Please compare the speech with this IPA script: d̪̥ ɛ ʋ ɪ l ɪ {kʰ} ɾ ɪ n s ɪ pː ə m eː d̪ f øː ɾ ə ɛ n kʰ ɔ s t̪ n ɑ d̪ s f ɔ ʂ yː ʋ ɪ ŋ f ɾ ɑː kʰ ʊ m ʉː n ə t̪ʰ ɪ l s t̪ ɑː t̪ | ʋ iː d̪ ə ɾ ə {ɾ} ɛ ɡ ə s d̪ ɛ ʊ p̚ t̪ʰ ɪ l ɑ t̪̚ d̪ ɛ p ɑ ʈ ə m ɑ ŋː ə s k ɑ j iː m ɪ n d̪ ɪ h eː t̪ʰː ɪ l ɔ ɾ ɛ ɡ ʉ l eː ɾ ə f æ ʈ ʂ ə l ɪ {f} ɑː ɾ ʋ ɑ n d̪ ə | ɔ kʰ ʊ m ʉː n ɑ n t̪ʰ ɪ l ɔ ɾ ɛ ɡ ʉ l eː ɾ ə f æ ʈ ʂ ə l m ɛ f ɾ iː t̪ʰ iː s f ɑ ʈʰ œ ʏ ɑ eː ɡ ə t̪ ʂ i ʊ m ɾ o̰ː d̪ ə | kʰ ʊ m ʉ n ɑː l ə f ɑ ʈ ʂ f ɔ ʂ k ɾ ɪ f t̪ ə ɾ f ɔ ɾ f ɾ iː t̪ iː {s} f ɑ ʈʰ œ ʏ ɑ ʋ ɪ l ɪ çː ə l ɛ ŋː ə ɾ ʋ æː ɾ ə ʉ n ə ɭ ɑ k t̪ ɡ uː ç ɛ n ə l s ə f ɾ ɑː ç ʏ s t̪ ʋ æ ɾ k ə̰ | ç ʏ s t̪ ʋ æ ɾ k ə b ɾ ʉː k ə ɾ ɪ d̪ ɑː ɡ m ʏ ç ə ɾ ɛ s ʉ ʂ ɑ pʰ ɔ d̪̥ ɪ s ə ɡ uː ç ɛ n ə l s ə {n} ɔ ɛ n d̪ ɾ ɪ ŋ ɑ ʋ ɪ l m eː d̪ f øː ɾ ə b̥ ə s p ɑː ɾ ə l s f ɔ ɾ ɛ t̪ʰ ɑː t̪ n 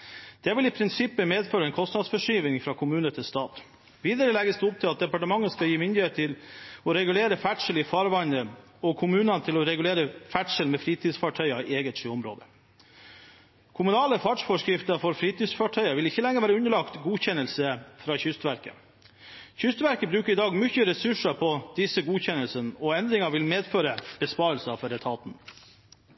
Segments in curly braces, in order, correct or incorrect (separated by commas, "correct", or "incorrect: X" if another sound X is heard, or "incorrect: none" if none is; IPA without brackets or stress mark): incorrect: pʰ, incorrect: l, correct, correct, correct